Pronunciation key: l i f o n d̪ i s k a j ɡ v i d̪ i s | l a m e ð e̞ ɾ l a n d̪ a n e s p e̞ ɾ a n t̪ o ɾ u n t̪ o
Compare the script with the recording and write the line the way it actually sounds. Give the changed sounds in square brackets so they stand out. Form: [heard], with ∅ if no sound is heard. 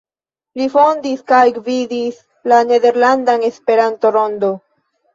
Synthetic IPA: l i f o n d̪ i s k a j ɡ v i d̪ i s | l a [n] e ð e̞ ɾ l a n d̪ a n e s p e̞ ɾ a n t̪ o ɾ [o] n [d̪] o